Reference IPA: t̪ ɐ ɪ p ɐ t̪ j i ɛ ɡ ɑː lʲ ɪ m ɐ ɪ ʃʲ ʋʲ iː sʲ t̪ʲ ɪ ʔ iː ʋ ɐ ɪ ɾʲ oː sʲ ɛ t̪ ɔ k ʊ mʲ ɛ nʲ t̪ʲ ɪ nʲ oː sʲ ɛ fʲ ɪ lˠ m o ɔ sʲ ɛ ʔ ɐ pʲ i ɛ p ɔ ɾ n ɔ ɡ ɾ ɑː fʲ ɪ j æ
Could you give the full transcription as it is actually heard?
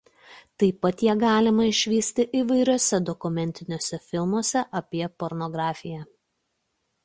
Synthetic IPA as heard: t̪ ɐ ɪ p ɐ t̪ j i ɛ ɡ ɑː lʲ ɪ m ɐ ɪ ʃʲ ʋʲ iː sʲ t̪ʲ ɪ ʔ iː ʋ ɐ ɪ ɾʲ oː sʲ ɛ d̪ ɔ k ʊ mʲ ɛ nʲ t̪ʲ ɪ nʲ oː sʲ ɛ fʲ ɪ lˠ m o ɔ sʲ ɛ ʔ ɐ pʲ i ɛ p ɔ ɾ n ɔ ɡ ɾ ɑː fʲ ɪ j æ